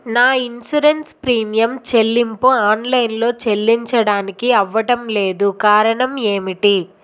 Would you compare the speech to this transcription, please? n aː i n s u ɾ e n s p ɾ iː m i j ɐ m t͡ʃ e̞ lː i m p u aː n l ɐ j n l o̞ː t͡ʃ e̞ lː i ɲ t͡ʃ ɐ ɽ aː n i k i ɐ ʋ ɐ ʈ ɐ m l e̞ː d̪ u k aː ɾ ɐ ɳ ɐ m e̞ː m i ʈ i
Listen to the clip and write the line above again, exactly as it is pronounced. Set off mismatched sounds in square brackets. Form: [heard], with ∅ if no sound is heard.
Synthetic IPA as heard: n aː i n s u ɾ e n s p ɾ iː m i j ɐ m t͡ʃ e̞ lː i m p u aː n l ɐ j n l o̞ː t͡ʃ e̞ lː i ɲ t͡ʃ ɐ ɽ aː n i k i ɐ [ʋː] ɐ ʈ ɐ m l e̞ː d̪ u k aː ɾ ɐ ɳ ɐ m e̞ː m i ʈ i